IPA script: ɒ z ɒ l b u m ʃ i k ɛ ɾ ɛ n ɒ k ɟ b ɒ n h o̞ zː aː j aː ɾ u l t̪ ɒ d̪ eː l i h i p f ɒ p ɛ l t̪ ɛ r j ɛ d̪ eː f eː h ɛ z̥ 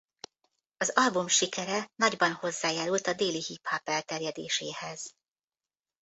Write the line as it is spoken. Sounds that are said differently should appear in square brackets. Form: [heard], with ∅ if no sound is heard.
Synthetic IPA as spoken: ɒ z ɒ l b u m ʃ i k ɛ ɾ ɛ n ɒ [∅] ɟ b ɒ n h o̞ zː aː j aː ɾ u l t̪ ɒ d̪ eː l i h i p [h] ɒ p ɛ l t̪ ɛ r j ɛ d̪ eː [ʃ] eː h ɛ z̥